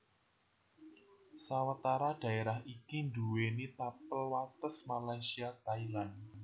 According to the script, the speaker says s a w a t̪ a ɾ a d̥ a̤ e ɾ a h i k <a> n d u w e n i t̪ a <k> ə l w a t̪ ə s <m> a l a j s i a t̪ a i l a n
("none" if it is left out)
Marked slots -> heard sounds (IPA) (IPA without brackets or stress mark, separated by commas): i, p, m